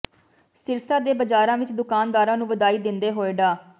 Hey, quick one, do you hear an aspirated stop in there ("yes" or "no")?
no